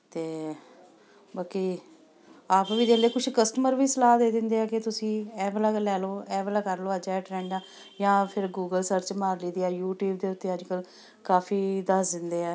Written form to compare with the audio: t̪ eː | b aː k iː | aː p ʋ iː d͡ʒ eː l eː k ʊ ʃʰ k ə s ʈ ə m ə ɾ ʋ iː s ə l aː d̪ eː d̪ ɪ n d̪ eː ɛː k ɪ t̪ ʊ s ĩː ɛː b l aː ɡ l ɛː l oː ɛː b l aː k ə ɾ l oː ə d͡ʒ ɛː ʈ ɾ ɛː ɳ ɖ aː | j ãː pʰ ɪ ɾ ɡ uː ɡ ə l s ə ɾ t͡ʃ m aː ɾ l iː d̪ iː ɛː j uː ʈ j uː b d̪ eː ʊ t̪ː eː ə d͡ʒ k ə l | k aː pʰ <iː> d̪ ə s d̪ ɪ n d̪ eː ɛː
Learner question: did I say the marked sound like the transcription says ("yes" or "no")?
yes